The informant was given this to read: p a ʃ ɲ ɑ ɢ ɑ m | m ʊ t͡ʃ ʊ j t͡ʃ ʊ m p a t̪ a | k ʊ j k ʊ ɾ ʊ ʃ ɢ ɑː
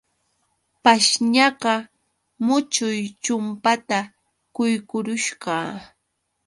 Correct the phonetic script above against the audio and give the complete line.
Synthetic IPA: p a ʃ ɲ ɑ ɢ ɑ | m ʊ t͡ʃ ʊ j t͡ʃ ʊ m p a t̪ a | k ʊ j k ʊ ɾ ʊ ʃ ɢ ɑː